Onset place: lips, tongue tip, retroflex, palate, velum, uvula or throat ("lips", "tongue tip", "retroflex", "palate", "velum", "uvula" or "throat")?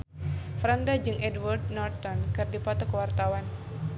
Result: lips